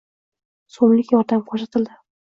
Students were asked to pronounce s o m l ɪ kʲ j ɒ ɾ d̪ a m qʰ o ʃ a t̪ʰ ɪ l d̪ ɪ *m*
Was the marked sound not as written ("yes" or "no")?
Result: yes